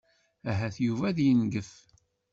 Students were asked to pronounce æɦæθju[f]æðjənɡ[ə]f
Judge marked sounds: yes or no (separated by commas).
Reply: no, yes